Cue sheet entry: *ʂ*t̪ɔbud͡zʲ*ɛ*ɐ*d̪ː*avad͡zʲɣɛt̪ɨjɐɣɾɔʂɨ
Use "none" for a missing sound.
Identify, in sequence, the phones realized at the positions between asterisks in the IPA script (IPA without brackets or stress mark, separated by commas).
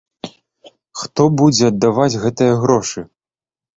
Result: x, ɛ, d̪ː